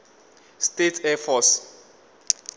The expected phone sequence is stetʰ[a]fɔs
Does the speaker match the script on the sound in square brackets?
no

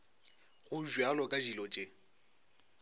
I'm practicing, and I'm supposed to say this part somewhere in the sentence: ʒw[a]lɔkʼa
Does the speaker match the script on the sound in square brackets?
yes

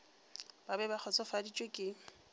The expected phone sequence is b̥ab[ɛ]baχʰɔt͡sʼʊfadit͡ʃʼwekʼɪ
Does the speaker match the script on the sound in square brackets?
yes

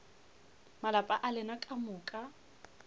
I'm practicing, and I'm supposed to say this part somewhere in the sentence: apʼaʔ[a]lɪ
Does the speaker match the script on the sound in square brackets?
yes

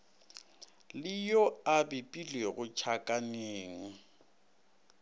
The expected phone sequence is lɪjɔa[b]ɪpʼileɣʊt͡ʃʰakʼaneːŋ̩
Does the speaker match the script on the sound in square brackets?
yes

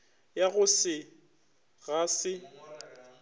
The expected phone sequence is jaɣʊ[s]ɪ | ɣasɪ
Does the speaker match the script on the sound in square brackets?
yes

